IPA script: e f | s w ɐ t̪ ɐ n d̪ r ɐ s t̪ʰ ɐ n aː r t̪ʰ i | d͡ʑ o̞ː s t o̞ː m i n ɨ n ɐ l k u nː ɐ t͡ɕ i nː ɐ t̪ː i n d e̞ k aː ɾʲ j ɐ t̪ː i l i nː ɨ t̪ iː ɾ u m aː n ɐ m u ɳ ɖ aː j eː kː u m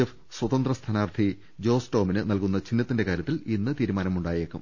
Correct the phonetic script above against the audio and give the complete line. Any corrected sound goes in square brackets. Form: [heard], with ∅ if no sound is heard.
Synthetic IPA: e f | s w ɐ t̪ ɐ n d̪ r ɐ s t̪ʰ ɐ n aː r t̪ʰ i | d͡ʑ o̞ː s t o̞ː m i n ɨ n ɐ l k u nː ɐ t͡ɕ i nː ɐ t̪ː i n d e̞ k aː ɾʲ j ɐ t̪ː i l i nː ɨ t̪ iː ɾ u m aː n ɐ m u ɳ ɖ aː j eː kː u m